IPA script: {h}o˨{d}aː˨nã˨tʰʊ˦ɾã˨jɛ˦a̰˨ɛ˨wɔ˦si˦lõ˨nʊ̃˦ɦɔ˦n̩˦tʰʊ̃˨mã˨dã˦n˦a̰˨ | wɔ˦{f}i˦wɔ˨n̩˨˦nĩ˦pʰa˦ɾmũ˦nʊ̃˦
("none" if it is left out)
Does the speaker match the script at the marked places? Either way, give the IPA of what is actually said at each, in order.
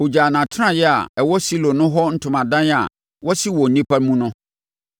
h, d͡ʑ, s

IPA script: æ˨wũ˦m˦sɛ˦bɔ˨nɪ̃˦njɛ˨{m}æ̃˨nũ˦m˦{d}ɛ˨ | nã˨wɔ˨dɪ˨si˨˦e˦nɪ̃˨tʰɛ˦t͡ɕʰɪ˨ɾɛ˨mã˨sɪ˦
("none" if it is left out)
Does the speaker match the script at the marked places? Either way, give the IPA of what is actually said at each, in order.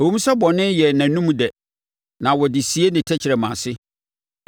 n, d

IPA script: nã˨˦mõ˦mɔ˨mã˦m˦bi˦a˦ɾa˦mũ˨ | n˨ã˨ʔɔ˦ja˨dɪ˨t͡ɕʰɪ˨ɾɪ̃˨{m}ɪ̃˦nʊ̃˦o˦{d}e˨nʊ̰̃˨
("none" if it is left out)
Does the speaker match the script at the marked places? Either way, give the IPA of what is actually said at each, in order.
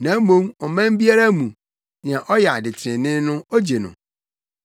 n, d͡ʑ

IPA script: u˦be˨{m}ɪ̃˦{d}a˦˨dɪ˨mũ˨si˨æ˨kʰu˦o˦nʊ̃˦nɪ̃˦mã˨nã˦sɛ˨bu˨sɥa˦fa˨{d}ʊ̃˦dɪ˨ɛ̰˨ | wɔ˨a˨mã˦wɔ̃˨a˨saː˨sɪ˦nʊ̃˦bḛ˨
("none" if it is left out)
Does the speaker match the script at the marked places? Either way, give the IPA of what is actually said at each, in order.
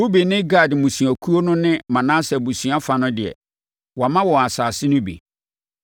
n, ɡ, n

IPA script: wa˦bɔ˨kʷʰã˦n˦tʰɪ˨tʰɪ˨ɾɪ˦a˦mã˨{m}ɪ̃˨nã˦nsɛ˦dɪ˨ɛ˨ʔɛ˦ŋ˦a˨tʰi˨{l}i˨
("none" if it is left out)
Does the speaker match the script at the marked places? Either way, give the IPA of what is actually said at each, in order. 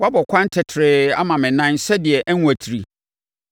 m, ɾ

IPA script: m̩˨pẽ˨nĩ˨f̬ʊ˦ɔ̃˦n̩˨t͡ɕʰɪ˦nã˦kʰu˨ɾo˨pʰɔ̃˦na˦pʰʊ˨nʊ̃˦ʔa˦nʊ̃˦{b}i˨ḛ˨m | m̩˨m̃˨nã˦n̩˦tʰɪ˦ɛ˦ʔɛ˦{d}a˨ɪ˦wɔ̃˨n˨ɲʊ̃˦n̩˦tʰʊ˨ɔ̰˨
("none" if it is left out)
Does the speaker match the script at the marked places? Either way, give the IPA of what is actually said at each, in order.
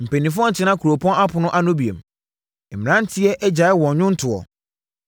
b, d͡ʑ

